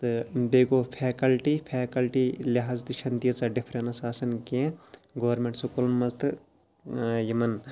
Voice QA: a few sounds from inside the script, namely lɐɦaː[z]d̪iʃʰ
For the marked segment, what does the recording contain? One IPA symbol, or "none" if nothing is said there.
z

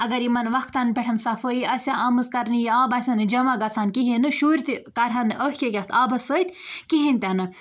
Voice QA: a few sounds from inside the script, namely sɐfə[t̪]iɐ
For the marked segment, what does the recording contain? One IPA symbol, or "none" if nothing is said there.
none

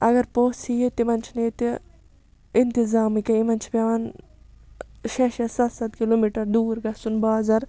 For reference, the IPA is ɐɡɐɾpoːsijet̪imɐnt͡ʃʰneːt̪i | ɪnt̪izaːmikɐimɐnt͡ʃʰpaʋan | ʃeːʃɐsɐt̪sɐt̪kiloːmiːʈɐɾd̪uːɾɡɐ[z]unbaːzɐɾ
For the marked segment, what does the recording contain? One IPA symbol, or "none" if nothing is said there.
s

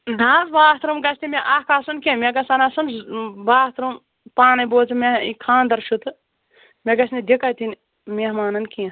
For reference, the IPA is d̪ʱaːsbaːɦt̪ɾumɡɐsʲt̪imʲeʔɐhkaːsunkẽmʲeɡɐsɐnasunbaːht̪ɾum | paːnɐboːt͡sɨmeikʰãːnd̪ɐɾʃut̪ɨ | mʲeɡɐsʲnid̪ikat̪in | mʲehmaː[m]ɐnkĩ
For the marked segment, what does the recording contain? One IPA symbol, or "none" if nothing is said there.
n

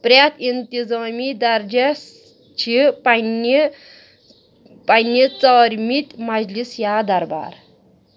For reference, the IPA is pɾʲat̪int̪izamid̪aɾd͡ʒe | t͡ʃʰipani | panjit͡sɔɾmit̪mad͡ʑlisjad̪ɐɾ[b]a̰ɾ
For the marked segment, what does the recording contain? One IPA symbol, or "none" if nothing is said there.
b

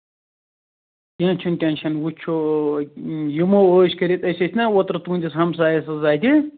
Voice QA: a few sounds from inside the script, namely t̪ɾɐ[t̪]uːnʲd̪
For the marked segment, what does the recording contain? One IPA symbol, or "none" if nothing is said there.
t̪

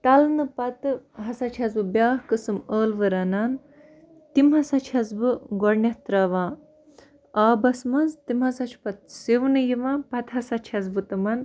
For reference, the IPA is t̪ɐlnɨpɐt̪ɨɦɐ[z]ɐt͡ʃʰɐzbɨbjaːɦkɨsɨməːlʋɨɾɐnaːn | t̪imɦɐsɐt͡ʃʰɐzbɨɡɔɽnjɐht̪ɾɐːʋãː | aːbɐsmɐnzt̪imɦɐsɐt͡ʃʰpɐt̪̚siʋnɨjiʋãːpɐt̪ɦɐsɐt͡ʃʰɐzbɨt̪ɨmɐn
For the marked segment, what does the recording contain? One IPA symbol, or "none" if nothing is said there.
s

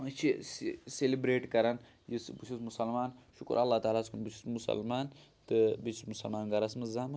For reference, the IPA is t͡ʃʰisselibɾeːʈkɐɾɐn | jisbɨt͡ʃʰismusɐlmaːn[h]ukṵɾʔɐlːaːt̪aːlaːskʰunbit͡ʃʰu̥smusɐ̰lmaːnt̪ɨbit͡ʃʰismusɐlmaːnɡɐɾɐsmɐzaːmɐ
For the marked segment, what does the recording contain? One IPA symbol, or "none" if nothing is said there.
ʃ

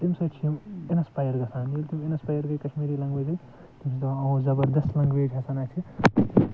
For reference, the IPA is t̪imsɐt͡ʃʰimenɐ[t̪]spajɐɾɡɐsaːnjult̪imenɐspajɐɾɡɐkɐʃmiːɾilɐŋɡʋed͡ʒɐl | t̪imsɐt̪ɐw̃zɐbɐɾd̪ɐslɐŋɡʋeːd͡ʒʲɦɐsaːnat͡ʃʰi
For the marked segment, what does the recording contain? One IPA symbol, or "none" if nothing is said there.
none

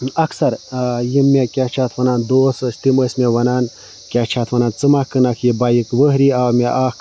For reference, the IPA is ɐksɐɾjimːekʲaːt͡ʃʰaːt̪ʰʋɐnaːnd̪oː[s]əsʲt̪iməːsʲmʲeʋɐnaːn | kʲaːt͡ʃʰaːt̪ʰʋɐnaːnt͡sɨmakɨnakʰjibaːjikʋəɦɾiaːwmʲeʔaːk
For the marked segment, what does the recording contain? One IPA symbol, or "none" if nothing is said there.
s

